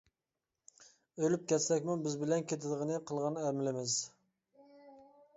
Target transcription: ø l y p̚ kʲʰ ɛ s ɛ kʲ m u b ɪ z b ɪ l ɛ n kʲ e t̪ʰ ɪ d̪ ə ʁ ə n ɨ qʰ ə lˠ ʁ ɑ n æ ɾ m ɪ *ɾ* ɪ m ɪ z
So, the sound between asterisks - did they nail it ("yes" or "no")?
no